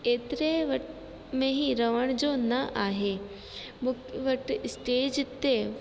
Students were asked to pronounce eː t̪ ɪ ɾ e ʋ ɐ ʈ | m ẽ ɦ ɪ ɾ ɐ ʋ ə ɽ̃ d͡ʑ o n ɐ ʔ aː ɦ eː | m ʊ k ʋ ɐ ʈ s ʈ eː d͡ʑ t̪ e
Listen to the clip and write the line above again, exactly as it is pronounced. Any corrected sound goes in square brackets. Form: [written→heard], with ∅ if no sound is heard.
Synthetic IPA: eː t̪ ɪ ɾ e ʋ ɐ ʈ | m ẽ ɦ [ɪ→i] ɾ ɐ ʋ ə ɽ̃ d͡ʑ o n ɐ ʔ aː ɦ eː | m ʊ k ʋ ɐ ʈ s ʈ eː d͡ʑ t̪ e